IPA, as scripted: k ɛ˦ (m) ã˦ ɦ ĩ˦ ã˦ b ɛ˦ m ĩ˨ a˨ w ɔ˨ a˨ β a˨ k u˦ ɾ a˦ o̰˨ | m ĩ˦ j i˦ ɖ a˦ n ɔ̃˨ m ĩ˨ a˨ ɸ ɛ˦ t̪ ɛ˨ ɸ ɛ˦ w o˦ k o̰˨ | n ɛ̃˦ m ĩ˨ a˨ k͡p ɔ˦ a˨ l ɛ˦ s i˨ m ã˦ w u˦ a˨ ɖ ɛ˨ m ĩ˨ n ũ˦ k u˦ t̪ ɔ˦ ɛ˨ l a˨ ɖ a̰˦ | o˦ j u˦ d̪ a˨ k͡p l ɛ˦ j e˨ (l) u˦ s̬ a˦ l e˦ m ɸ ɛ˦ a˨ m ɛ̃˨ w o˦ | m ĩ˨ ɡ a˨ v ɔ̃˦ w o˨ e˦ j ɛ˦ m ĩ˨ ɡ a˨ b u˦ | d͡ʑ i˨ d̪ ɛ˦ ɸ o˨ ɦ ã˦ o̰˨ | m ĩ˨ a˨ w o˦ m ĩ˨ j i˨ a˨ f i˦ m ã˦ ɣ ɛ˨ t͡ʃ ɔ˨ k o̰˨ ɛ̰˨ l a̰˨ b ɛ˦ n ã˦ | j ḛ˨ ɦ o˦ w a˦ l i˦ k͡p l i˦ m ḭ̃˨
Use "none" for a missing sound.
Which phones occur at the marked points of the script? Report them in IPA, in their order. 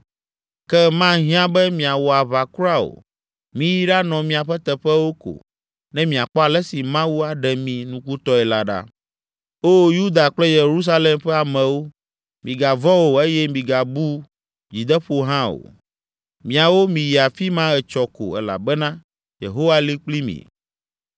m, ɾ

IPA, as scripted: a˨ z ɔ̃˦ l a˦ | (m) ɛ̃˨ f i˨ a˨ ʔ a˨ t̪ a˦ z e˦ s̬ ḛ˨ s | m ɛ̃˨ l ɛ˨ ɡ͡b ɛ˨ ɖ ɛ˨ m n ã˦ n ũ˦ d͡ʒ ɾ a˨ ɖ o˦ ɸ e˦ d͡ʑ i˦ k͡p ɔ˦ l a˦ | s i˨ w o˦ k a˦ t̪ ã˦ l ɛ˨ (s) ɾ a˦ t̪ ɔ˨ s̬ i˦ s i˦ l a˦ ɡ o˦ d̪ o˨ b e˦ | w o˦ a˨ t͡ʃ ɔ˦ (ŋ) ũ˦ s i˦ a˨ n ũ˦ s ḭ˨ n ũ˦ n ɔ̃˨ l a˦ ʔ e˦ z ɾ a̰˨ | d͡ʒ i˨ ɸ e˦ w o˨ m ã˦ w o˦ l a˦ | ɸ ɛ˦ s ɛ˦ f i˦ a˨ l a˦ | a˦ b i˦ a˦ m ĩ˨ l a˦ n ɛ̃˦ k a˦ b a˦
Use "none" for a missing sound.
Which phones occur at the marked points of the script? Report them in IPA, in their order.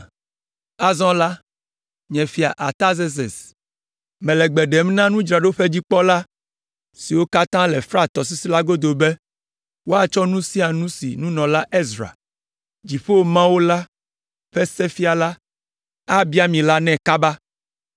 ɲ, f, n

